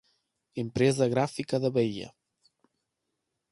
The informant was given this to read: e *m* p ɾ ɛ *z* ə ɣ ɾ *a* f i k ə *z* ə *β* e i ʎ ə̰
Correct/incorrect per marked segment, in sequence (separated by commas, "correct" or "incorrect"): correct, correct, correct, incorrect, correct